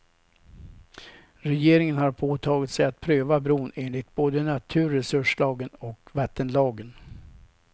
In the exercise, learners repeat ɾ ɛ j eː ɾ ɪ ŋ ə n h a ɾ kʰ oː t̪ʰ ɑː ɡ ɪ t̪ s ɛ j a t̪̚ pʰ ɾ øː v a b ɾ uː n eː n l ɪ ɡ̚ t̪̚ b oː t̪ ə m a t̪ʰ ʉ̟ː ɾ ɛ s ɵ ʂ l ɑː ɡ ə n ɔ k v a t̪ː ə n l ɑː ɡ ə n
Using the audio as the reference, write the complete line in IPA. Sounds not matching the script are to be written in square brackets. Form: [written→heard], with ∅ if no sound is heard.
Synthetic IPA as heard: ɾ ɛ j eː ɾ ɪ ŋ ə n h a ɾ [kʰ→pʰ] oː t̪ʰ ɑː ɡ ɪ t̪ s ɛ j a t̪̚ pʰ ɾ øː v a b ɾ uː n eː n l ɪ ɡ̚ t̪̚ b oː [t̪→d̪] ə [m→n] a t̪ʰ ʉ̟ː ɾ ɛ s ɵ ʂ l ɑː ɡ ə n ɔ k v a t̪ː ə n l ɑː ɡ ə n